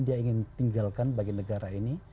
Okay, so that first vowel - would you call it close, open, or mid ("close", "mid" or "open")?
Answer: close